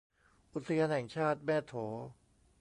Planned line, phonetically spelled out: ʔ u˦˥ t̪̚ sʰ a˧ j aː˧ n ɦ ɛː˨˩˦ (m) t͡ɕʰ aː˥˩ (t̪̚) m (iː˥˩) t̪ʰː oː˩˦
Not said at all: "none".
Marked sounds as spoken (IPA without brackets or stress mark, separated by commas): ŋ, t̪̚, ɛː˥˩